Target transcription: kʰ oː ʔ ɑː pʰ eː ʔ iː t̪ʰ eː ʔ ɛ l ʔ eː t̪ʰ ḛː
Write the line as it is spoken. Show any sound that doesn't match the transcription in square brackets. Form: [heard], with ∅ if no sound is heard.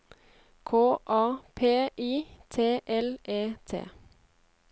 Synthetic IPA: kʰ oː ʔ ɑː pʰ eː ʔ iː t̪ʰ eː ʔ ɛ l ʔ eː t̪ʰ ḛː